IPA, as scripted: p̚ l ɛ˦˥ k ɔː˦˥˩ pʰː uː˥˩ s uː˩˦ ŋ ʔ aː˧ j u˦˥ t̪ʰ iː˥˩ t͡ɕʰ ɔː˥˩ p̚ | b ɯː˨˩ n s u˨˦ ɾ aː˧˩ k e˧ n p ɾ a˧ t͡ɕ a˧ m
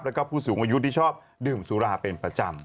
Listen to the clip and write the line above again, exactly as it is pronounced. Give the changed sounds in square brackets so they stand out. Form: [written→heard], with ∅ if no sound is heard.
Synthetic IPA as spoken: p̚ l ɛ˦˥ k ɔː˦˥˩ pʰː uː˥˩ s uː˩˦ ŋ ʔ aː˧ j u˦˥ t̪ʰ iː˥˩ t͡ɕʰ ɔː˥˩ p̚ | [b→d] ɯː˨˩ [n→m] s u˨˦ ɾ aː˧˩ [k→p] e˧ n p ɾ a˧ t͡ɕ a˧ m